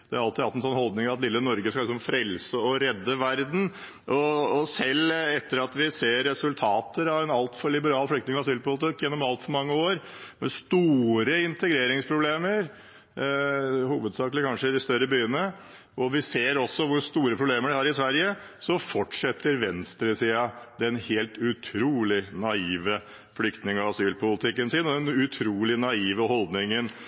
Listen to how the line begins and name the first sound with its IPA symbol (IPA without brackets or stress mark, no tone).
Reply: d̪